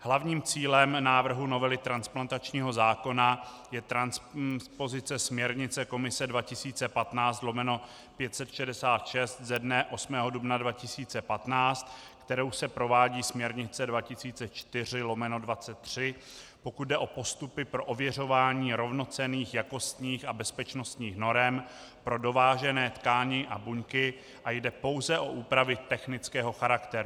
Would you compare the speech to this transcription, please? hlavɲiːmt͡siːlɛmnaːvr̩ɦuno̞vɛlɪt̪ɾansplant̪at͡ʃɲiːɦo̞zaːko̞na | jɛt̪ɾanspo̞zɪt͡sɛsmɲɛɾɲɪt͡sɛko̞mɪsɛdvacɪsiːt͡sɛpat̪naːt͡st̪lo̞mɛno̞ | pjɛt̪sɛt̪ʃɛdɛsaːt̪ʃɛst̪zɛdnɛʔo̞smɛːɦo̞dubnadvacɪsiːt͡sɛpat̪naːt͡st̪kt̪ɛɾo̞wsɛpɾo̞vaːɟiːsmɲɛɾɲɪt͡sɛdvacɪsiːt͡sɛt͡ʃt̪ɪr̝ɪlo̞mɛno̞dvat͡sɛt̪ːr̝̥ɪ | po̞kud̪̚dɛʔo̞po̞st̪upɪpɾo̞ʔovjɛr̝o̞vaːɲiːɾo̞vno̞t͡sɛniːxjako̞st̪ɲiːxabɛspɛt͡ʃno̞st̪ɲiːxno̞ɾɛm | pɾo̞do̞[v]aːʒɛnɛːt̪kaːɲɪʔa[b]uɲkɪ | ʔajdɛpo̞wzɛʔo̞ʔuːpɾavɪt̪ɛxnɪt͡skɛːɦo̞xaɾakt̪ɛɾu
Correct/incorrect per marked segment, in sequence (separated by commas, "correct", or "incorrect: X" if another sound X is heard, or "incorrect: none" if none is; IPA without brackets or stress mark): correct, correct